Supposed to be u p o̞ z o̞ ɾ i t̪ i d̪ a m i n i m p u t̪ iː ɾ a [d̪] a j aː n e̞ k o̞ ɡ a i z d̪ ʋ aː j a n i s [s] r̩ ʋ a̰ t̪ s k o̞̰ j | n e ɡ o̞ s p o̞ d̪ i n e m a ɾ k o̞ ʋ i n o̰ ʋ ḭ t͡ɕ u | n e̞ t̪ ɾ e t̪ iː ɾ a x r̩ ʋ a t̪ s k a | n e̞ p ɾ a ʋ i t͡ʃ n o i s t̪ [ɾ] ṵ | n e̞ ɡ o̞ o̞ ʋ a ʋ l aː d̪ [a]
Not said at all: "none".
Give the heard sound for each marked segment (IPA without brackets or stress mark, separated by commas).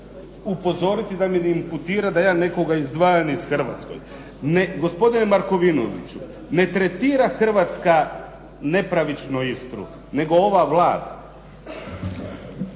d̪, x, ɾ, a